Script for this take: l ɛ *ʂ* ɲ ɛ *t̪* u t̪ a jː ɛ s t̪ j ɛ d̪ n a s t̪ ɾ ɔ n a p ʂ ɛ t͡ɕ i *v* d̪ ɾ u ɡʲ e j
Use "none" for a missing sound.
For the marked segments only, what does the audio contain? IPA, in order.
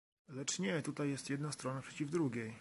t͡ʂ, t̪, v

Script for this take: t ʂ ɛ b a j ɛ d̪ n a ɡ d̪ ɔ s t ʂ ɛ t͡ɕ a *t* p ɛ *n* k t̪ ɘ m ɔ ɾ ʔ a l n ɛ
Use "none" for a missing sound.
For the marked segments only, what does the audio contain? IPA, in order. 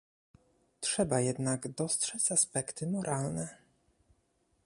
s, none

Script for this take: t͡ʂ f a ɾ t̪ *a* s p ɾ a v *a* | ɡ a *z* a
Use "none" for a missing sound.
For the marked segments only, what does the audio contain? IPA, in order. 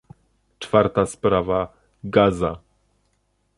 a, a, z

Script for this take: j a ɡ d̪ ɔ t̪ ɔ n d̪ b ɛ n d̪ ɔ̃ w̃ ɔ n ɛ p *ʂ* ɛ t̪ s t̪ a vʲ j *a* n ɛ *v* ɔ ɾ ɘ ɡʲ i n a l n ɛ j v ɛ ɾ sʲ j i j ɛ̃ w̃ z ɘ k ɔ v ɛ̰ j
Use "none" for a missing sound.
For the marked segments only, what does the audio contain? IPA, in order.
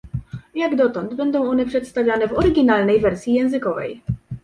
ʂ, a, v

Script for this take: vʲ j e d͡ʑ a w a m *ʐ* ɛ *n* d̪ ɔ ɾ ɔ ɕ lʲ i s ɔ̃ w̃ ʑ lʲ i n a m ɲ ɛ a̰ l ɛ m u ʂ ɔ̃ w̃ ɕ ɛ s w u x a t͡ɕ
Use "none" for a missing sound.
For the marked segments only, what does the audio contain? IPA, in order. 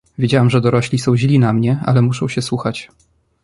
ʐ, none

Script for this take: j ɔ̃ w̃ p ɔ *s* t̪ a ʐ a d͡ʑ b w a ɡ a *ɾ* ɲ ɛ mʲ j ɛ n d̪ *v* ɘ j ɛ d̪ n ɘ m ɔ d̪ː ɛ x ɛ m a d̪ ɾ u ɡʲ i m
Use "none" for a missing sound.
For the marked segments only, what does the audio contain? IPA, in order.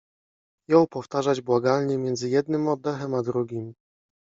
f, l, z

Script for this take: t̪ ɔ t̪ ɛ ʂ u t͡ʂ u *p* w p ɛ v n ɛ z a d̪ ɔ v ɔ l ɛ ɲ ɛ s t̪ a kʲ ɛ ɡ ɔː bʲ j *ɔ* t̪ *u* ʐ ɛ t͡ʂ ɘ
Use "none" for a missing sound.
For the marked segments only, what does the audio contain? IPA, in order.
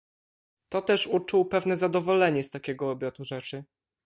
none, ɔ, u

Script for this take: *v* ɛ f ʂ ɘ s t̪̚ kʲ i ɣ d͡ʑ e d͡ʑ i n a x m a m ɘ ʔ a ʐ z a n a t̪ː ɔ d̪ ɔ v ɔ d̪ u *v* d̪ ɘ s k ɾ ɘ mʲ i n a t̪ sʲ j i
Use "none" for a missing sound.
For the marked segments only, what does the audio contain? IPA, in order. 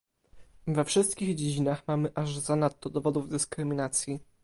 v, v

